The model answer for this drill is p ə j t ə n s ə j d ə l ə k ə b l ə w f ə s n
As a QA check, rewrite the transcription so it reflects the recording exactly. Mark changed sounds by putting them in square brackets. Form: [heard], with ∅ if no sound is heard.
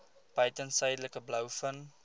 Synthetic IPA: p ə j t ə n s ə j d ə l ə k ə b l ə w f ə [∅] n